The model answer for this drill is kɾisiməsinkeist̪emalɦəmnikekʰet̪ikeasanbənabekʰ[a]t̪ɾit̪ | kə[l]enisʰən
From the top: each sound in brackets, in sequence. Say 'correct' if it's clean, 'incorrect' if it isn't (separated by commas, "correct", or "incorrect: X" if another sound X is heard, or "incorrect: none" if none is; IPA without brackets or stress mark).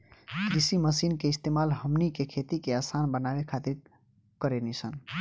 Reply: correct, incorrect: ɾ